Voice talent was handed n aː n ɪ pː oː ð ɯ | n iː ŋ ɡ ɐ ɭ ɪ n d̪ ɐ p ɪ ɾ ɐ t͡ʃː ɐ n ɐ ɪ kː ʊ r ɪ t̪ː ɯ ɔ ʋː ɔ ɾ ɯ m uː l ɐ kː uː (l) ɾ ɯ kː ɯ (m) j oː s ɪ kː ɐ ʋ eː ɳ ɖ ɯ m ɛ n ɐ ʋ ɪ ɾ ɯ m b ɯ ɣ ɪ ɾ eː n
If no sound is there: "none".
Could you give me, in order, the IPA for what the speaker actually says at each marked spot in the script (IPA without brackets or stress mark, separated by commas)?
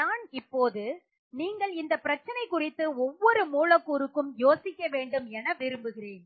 none, m